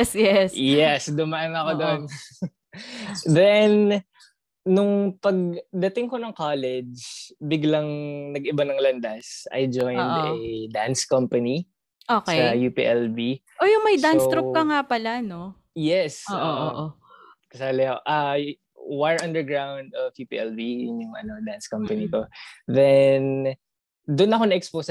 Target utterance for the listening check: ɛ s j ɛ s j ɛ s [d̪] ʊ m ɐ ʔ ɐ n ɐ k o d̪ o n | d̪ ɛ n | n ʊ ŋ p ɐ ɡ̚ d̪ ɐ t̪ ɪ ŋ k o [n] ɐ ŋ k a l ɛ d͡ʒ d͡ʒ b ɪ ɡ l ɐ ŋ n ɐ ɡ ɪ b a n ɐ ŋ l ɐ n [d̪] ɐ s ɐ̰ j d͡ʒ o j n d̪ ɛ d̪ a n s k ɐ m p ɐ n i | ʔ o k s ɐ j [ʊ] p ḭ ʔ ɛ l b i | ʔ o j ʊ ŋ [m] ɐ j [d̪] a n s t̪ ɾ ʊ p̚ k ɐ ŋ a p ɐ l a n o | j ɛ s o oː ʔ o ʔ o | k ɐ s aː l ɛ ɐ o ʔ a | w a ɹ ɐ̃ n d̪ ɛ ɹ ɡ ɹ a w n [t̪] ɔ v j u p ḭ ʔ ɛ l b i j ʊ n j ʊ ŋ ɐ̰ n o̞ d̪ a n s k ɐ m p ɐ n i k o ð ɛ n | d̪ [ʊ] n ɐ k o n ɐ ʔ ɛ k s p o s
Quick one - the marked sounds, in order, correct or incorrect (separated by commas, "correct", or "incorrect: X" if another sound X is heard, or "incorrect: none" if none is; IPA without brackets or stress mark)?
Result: correct, correct, correct, incorrect: u, correct, correct, incorrect: d̪, correct